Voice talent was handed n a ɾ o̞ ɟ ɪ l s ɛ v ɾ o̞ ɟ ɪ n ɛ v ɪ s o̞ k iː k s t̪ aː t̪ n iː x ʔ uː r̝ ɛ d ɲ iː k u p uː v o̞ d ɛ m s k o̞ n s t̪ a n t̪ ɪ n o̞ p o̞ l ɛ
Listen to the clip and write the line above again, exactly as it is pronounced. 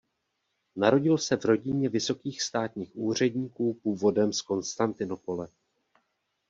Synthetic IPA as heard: n a ɾ o̞ ɟ ɪ l s ɛ v ɾ o̞ ɟ ɪ ɲ ɛ v ɪ s o̞ k iː x s t̪ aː t̪ ɲ iː x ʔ uː r̝ ɛ d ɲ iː k uː p uː v o̞ d ɛ m s k o̞ n s t̪ a n t̪ ɪ n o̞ p o̞ l ɛ